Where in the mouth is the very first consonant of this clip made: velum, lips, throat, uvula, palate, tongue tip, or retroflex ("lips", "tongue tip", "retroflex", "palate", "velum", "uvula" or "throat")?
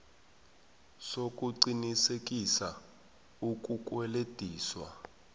tongue tip